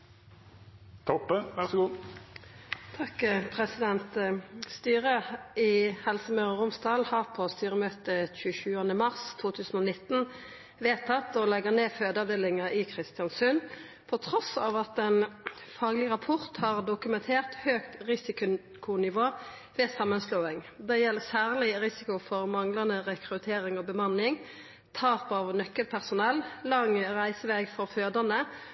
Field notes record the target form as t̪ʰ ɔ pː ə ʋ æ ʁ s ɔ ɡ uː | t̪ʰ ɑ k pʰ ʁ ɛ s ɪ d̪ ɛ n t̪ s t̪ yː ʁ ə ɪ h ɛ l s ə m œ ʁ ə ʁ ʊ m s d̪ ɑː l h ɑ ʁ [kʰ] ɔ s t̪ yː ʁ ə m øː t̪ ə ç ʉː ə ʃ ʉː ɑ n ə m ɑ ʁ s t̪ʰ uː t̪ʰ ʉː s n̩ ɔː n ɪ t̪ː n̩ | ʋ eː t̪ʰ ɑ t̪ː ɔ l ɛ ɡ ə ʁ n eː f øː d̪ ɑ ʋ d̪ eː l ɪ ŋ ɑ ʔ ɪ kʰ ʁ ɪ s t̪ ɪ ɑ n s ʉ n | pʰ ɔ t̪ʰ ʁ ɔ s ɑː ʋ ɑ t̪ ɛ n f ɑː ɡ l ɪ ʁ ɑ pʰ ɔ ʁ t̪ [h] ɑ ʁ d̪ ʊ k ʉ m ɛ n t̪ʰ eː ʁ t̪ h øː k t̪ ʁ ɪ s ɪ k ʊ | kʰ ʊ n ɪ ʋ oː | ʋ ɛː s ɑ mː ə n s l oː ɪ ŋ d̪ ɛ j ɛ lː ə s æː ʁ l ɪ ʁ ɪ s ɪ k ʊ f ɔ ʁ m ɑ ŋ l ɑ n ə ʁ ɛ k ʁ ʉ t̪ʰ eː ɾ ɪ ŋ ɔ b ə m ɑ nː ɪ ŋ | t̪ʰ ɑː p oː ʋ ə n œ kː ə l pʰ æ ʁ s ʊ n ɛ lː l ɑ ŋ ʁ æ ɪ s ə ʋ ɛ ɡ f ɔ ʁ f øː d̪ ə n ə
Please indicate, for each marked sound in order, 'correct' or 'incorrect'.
incorrect: pʰ, correct

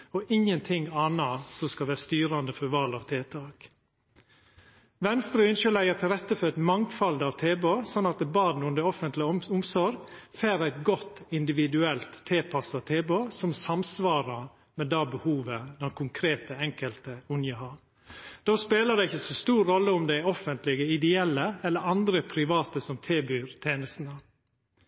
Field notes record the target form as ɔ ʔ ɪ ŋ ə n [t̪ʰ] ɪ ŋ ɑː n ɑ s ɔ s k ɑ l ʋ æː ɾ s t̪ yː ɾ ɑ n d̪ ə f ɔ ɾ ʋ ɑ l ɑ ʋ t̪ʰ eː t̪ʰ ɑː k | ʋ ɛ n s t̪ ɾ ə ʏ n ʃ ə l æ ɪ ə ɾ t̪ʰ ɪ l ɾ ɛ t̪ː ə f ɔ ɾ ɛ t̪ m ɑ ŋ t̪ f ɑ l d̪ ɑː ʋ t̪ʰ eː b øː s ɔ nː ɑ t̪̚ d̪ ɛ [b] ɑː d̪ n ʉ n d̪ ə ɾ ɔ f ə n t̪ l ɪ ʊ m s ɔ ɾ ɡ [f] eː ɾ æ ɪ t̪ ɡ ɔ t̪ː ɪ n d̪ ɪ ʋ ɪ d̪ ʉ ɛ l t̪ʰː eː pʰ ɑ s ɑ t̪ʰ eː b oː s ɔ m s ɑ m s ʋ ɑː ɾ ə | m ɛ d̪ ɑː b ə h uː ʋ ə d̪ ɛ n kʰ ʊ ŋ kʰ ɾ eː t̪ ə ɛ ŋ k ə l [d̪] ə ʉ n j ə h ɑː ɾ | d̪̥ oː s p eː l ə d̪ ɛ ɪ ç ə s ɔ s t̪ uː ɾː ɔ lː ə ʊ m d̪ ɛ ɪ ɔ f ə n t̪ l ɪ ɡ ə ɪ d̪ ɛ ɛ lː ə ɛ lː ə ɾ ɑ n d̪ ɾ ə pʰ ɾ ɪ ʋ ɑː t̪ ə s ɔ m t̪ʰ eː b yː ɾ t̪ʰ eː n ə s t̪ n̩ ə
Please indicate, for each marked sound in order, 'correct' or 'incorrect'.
correct, correct, correct, incorrect: t̪

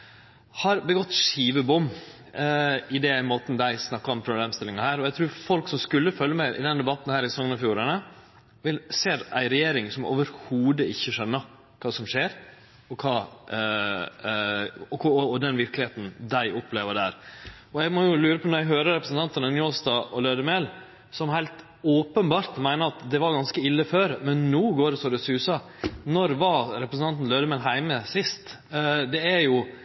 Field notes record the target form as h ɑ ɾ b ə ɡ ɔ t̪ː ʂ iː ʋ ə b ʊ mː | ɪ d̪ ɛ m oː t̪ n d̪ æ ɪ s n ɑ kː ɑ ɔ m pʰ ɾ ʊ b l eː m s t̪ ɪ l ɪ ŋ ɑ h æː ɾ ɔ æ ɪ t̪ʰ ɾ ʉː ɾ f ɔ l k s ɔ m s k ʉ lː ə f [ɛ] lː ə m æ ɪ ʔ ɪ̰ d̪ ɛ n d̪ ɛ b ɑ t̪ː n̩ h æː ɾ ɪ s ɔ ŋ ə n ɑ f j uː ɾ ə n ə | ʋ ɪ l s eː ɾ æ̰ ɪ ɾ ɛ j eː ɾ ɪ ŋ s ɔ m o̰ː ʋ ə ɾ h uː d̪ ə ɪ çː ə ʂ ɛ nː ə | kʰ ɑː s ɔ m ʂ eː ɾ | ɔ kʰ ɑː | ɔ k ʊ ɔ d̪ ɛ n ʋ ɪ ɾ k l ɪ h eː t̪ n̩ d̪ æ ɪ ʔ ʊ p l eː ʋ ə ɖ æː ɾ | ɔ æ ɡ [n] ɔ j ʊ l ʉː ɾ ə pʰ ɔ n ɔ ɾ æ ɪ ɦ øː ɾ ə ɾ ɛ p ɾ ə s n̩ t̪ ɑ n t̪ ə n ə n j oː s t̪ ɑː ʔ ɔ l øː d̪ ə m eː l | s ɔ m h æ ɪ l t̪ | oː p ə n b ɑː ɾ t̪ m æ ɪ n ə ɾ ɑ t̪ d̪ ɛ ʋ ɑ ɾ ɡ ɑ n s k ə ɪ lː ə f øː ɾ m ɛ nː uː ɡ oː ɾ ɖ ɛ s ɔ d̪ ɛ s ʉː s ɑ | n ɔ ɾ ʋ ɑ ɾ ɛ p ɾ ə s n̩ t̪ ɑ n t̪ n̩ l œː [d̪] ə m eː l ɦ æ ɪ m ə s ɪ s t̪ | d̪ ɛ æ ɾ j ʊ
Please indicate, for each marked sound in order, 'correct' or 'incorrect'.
incorrect: œ, incorrect: m, correct

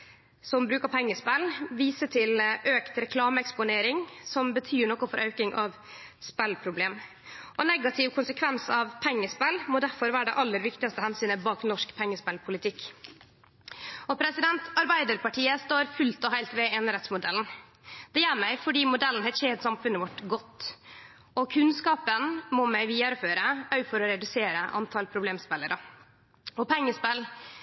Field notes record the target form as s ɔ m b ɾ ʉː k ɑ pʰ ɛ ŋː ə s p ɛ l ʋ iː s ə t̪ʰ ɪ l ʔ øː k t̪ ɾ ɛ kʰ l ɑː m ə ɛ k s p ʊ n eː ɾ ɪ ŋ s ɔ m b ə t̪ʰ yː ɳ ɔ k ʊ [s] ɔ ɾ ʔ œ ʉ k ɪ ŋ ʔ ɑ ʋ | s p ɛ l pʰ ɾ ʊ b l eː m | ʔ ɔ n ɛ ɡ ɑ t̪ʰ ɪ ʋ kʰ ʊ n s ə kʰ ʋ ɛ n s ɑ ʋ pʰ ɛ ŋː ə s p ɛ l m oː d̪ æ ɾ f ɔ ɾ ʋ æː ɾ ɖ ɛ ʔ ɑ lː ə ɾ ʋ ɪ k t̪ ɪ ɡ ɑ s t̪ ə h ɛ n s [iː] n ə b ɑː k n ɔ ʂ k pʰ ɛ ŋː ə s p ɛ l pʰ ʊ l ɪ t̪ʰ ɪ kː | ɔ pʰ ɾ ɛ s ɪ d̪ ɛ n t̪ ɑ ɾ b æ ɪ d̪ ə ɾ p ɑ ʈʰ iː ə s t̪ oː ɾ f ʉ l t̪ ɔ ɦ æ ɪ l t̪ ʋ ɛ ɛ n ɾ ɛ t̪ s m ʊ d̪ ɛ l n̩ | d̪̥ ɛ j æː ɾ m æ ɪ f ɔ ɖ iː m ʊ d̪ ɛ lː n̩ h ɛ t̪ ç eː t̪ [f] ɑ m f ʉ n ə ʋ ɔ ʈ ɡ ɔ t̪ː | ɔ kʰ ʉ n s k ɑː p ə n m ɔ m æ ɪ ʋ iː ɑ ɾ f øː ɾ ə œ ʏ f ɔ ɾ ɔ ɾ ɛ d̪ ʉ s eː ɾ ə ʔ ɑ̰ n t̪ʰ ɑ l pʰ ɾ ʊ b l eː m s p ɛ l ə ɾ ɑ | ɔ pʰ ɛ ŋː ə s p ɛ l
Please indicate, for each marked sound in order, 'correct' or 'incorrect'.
incorrect: f, incorrect: yː, incorrect: s

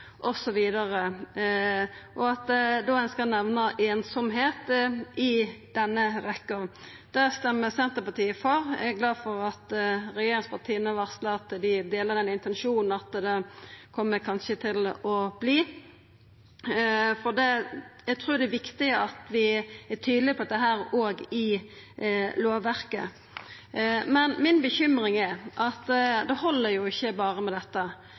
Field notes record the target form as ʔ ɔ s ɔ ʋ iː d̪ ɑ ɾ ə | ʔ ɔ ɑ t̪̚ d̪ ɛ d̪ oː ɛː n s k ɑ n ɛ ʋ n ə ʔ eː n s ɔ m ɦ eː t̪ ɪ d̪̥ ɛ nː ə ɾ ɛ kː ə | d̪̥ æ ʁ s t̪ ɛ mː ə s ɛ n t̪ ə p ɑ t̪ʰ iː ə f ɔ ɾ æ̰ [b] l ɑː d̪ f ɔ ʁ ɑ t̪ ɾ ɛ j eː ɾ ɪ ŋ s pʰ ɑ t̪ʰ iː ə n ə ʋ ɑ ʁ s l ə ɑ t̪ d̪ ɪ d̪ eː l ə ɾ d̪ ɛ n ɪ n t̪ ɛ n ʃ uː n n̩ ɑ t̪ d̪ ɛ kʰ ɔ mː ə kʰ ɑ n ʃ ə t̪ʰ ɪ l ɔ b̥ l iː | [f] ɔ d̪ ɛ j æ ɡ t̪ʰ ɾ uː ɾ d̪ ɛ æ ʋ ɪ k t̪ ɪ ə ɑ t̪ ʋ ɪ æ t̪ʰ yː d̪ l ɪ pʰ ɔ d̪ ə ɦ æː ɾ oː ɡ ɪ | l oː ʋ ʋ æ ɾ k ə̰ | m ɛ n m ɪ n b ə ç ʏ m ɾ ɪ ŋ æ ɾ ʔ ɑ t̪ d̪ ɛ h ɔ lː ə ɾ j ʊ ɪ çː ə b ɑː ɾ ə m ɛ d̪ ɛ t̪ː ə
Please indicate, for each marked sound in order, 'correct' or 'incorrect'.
incorrect: ɡ, correct

